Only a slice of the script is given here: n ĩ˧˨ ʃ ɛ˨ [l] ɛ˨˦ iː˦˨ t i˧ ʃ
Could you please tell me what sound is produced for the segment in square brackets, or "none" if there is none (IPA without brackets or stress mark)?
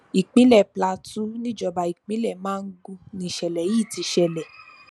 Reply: l